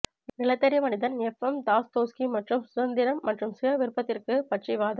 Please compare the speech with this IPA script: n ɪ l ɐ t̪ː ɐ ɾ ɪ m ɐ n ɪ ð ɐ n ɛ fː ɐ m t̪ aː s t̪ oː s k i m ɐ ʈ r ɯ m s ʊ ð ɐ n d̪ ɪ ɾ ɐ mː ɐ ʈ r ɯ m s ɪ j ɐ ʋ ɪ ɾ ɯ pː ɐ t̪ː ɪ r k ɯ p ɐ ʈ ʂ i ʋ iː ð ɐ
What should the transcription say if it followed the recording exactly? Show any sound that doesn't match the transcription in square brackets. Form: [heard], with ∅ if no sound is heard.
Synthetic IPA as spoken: n ɪ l ɐ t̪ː ɐ ɾ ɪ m ɐ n ɪ ð ɐ n ɛ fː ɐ m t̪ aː s t̪ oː s k i m ɐ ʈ r ɯ m s ʊ ð ɐ n d̪ ɪ ɾ ɐ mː ɐ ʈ r ɯ m s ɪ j ɐ ʋ ɪ ɾ ɯ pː ɐ t̪ː ɪ r k ɯ p ɐ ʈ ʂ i ʋ [aː] ð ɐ